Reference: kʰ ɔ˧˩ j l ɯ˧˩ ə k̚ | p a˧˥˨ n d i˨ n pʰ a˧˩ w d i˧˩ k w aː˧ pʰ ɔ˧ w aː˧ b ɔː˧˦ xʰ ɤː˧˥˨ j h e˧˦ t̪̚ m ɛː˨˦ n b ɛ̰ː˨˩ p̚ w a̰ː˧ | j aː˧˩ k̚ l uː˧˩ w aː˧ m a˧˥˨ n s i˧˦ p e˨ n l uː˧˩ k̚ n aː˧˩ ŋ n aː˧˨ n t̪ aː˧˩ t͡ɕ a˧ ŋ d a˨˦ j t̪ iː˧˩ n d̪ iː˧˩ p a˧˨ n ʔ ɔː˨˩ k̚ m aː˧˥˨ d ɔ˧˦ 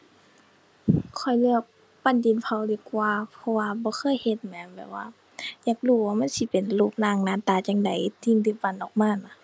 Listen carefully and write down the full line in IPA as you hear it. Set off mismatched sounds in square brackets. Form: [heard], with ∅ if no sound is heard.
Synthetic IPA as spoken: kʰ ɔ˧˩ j l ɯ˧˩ ə k̚ | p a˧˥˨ n d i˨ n pʰ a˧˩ w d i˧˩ k w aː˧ pʰ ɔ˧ w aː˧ b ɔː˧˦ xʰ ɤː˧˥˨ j h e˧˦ t̪̚ m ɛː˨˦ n b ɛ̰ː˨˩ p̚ w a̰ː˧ | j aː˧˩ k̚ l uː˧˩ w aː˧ m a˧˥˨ n s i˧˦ p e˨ n l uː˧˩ [p̚] n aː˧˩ ŋ n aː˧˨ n t̪ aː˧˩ t͡ɕ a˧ ŋ d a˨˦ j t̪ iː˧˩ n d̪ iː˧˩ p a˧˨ n ʔ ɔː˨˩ k̚ m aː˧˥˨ [n] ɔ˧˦